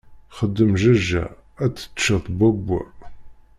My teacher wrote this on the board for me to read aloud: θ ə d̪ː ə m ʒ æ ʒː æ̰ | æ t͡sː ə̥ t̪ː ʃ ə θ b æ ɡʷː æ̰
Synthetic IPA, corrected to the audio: χ ə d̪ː ə m ʒ æ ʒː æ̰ | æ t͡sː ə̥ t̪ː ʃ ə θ b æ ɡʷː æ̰